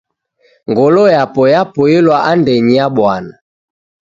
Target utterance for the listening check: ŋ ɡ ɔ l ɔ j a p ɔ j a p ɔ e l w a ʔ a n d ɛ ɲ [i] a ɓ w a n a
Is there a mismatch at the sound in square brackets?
no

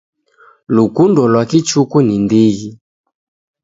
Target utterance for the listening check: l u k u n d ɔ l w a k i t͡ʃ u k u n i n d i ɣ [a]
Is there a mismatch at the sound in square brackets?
yes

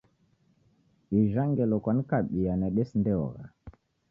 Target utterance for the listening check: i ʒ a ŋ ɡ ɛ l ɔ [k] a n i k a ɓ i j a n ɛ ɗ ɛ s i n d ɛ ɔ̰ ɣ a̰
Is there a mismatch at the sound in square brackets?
no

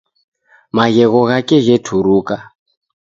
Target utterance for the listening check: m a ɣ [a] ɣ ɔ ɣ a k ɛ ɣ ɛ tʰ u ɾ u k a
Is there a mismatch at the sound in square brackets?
yes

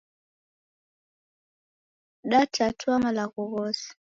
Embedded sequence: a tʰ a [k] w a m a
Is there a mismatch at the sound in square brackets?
yes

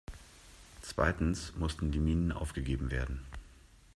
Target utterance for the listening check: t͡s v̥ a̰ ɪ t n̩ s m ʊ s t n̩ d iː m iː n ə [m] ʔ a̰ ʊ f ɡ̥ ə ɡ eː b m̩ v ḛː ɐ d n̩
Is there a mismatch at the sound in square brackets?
yes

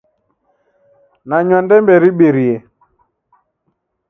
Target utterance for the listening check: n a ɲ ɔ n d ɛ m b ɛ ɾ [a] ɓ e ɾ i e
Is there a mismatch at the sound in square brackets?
yes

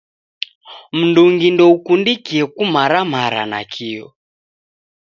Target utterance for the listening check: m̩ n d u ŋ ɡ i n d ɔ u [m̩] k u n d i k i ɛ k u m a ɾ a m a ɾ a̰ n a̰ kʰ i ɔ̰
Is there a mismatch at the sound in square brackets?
yes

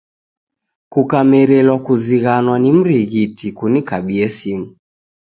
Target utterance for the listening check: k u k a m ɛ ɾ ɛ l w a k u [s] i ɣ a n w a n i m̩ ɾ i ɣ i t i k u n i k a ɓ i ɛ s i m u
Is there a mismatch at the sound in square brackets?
yes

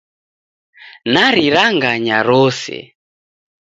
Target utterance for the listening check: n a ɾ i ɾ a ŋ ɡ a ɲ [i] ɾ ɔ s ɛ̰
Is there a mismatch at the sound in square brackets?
yes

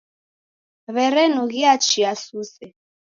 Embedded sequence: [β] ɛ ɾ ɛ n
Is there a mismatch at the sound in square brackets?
no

